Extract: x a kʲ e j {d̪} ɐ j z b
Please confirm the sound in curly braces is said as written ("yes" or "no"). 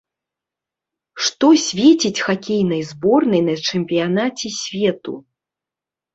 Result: no